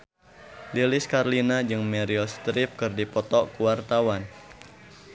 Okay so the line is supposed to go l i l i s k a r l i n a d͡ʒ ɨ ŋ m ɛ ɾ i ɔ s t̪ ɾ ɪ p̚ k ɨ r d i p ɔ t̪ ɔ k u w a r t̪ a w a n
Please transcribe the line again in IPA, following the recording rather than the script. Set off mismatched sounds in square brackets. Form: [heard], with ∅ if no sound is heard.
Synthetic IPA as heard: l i l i s k a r l i n a d͡ʒ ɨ ŋ m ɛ ɾ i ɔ s t̪ ɾ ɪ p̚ k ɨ r d i p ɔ t̪ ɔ k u w a r t̪ a w a n